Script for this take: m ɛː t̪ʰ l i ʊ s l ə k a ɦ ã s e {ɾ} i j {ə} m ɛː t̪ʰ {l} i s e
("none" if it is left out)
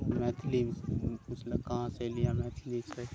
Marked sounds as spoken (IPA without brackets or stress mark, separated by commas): l, a, l